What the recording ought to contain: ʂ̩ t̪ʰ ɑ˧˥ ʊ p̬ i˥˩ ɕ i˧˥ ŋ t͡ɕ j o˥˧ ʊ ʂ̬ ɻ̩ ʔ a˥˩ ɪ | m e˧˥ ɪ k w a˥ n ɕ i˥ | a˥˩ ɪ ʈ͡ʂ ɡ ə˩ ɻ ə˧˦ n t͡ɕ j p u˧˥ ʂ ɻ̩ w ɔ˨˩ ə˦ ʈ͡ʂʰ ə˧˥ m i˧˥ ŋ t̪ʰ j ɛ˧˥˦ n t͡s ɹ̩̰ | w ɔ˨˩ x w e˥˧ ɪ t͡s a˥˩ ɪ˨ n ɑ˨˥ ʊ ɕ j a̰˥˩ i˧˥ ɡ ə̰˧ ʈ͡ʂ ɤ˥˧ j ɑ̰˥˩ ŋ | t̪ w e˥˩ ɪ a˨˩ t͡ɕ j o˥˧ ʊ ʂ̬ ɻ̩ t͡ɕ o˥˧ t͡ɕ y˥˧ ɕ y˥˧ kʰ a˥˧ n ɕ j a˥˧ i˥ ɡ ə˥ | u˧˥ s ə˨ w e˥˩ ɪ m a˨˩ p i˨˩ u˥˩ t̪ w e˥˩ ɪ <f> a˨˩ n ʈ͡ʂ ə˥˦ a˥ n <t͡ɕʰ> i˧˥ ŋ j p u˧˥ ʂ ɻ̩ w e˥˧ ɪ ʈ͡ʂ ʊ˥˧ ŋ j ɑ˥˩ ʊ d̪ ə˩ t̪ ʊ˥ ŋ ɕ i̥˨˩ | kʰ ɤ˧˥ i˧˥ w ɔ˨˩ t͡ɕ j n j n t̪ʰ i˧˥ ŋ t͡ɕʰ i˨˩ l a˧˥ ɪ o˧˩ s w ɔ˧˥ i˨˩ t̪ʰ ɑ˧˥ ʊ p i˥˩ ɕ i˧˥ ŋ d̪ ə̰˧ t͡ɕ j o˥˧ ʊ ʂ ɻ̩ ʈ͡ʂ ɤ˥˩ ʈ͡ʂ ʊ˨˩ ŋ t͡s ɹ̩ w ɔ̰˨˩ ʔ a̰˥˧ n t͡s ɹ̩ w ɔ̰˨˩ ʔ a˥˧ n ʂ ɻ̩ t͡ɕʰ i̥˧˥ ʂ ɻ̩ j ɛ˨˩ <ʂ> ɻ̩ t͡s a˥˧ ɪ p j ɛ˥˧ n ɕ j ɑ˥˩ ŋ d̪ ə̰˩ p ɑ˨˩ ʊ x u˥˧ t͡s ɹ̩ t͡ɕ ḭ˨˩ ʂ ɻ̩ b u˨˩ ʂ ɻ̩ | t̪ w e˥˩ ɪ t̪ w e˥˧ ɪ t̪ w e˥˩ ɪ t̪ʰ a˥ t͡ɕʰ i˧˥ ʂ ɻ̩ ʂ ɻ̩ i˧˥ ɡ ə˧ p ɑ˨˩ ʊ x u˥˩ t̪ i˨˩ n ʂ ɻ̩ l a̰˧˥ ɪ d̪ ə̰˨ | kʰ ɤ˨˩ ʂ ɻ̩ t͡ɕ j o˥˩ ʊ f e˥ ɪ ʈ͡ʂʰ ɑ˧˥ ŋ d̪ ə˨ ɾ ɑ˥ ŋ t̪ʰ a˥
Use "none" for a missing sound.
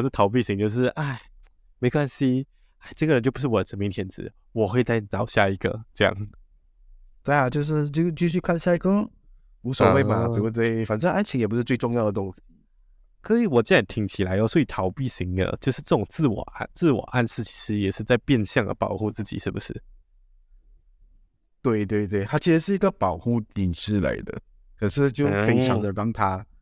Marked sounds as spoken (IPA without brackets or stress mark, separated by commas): f, t͡ɕʰ, ʂ